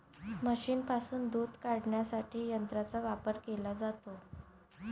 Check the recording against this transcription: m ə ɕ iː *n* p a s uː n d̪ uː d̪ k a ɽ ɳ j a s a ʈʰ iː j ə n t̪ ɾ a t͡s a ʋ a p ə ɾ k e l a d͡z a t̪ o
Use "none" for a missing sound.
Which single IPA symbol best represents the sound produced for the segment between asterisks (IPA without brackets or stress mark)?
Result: n